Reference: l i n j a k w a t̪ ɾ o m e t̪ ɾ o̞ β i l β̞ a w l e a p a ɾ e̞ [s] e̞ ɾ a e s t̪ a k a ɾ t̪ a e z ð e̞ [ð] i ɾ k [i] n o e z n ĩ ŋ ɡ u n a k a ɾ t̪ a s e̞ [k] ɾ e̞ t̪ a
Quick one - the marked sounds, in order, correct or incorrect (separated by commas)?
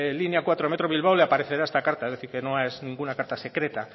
incorrect, incorrect, incorrect, correct